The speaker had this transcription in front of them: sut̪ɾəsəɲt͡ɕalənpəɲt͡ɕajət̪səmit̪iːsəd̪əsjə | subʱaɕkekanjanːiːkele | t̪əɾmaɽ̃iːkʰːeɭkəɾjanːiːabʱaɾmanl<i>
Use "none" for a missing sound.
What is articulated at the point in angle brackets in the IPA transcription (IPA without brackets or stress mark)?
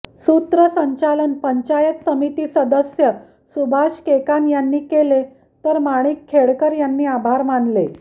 e